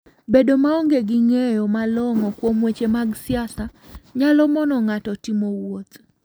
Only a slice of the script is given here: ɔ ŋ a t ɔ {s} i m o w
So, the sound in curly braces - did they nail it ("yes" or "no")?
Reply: no